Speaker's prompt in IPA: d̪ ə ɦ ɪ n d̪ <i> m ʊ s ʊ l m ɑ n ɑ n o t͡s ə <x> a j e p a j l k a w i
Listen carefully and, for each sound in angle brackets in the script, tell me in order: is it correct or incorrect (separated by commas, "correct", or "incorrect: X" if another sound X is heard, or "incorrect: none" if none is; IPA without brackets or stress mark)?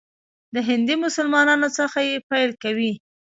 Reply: correct, correct